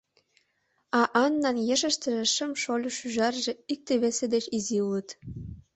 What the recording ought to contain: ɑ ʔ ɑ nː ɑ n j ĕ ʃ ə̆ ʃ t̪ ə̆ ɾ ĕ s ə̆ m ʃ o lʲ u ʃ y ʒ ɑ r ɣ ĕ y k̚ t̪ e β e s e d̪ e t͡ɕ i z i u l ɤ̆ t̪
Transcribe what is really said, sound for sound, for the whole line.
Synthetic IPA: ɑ ʔ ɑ nː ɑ n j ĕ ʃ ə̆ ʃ t̪ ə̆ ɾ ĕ ʃ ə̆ m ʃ o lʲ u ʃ y ʒ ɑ r ʒ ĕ i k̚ t̪ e β e s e d̪ e t͡ɕ i z i u l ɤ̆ t̪